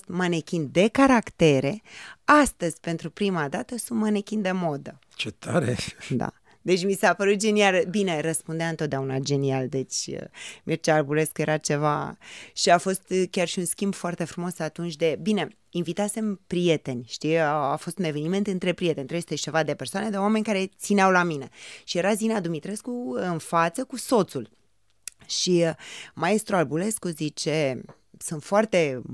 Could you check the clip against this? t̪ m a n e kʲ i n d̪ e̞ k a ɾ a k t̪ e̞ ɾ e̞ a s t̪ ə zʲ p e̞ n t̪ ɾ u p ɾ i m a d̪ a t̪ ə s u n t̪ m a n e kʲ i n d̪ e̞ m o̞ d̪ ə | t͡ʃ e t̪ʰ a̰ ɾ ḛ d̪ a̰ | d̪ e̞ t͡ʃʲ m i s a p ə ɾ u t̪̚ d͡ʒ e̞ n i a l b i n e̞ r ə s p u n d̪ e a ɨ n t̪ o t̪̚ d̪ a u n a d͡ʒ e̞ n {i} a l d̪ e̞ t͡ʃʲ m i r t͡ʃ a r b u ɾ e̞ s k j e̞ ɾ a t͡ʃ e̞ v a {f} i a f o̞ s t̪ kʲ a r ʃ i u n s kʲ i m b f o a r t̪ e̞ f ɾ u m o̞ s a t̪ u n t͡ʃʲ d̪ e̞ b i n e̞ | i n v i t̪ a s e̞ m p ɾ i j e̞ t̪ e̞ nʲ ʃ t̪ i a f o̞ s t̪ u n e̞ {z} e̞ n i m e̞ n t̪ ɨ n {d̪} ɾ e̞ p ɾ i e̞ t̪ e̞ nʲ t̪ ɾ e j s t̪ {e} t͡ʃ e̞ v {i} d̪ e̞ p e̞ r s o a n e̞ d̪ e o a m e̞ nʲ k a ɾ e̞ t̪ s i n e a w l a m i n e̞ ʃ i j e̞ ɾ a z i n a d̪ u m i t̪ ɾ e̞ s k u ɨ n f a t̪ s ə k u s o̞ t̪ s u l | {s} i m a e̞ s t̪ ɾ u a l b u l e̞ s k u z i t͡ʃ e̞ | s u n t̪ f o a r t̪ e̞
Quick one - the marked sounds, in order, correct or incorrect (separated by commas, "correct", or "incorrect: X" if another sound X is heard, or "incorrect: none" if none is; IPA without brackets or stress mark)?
correct, incorrect: ʃ, incorrect: v, incorrect: t̪, correct, incorrect: a, incorrect: ʃ